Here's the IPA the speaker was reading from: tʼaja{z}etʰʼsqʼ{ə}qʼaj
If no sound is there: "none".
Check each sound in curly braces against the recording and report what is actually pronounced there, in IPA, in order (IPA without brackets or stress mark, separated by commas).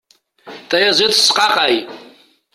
z, a